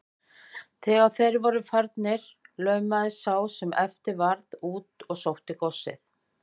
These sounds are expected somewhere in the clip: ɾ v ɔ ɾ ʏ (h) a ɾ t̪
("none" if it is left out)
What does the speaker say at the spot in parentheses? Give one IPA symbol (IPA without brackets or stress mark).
f